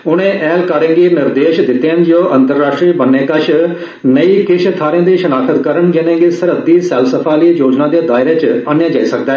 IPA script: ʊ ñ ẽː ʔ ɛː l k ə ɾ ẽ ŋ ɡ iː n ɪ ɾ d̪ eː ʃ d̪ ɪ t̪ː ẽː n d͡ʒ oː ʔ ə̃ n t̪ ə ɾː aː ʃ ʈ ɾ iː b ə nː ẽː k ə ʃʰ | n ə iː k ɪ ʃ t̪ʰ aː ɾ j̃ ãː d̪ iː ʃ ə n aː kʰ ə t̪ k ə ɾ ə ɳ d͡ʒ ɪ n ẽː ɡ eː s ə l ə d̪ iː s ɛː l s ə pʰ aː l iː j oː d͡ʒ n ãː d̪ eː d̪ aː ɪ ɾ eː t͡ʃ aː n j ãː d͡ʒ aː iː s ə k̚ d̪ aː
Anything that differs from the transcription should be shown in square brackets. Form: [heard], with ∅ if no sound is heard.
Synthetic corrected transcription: ʊ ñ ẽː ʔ ɛː l k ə ɾ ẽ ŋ ɡ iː n ɪ ɾ d̪ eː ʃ d̪ ɪ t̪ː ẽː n d͡ʒ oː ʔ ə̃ n t̪ ə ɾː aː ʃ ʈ ɾ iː b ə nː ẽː k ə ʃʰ | n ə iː k ɪ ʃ t̪ʰ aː ɾ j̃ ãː d̪ iː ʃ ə n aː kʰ ə t̪ k ə ɾ ə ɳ d͡ʒ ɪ n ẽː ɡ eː s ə [ɾ] ə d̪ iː s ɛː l s ə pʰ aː l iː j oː d͡ʒ n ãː d̪ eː d̪ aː ɪ ɾ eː t͡ʃ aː n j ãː d͡ʒ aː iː s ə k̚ d̪ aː